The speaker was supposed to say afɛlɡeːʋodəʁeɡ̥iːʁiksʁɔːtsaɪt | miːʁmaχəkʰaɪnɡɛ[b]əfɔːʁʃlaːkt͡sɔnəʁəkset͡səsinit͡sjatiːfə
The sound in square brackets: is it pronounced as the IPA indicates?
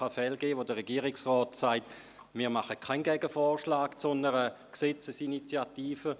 no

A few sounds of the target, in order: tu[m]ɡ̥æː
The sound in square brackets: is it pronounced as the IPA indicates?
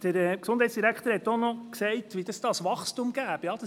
yes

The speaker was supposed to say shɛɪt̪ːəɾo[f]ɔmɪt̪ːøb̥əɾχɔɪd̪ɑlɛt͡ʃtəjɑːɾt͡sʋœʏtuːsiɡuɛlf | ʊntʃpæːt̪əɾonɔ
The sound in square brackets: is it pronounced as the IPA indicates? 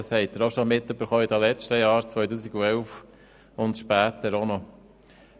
no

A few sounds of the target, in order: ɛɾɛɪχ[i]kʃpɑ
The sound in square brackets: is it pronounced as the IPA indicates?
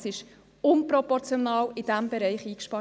no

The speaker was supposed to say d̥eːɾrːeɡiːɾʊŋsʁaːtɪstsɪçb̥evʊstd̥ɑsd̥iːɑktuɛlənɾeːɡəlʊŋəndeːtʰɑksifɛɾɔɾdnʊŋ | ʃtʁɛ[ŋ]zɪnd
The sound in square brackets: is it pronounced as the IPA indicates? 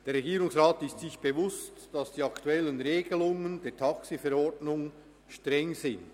yes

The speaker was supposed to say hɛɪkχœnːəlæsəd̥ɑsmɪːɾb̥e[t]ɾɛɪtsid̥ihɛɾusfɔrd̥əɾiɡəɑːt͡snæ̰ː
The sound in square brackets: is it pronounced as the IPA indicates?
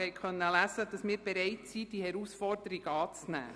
no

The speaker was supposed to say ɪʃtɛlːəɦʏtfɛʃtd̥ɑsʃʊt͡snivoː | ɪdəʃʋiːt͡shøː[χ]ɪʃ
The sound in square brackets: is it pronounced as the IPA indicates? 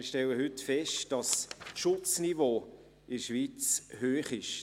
yes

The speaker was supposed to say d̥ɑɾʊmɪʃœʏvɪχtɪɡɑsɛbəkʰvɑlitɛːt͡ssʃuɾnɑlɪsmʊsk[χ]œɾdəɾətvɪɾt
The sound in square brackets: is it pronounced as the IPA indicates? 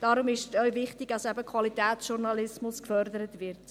no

